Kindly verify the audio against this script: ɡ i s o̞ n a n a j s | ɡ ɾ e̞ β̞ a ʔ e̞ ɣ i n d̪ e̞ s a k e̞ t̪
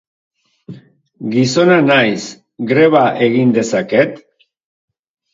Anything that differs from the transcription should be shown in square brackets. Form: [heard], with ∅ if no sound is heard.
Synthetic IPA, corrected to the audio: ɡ i s o̞ n a n a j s | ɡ ɾ e̞ β̞ a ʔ e̞ ɣ i n d̪ e̞ s a k e̞ t̪